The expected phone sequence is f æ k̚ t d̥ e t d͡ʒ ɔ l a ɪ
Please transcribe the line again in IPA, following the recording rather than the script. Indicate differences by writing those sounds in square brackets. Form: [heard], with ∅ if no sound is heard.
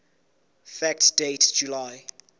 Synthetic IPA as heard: f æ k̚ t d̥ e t d͡ʒ [u] l a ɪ